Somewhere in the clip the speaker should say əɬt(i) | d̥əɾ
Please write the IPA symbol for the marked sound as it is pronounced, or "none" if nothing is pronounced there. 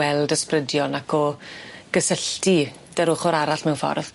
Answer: i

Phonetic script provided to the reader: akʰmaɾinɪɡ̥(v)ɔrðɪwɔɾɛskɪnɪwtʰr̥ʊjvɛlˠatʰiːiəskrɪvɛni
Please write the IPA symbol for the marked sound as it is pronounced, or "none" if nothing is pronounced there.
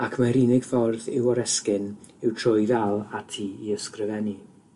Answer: f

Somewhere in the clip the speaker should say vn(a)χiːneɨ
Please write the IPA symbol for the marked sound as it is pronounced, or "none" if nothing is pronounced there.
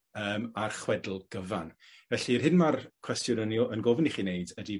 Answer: i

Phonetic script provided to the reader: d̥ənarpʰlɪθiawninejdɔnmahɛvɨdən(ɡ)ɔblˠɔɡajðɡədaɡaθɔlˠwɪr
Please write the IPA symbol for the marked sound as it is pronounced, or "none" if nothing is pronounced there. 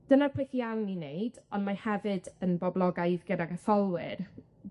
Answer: b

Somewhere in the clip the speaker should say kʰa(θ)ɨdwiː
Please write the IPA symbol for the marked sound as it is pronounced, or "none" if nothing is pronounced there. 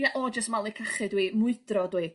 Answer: χ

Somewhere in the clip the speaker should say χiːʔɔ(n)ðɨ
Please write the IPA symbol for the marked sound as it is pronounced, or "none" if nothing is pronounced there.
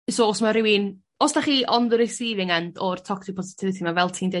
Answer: n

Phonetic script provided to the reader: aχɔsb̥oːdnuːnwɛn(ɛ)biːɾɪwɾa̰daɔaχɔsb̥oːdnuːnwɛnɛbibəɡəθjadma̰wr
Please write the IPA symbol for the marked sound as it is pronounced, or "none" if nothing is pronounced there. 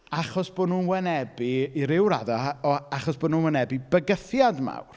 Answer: ɛ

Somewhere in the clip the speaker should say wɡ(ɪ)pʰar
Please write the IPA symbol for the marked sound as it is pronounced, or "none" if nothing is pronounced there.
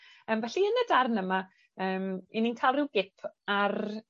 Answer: ɪ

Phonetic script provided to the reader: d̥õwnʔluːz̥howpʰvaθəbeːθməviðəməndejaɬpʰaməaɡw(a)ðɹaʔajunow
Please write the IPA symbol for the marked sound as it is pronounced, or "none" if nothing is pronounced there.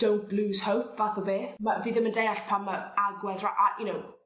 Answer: ɛ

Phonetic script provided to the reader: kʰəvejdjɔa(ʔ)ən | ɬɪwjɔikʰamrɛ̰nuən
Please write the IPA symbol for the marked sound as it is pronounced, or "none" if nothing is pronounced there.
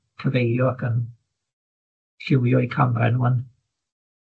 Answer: k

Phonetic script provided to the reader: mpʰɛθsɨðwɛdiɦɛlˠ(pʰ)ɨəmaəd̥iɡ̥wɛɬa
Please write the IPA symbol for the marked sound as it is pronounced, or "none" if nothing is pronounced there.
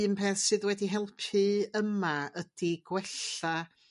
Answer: pʰ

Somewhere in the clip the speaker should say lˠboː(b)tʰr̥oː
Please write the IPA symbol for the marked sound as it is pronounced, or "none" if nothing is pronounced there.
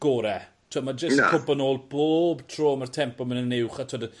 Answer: b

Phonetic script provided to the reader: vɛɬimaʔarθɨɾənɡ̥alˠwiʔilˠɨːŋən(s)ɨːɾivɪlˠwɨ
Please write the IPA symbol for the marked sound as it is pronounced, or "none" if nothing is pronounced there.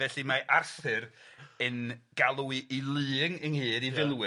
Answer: h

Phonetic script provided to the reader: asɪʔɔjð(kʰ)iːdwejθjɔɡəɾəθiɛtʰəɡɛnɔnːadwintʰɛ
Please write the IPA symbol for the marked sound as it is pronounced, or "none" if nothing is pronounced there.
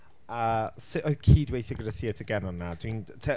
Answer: kʰ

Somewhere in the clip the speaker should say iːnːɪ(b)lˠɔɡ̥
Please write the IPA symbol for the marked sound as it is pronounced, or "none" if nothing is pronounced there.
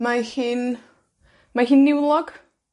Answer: w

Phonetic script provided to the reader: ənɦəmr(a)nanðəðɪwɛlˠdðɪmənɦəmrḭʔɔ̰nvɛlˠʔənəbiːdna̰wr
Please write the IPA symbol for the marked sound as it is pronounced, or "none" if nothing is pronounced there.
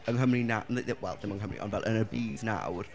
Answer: i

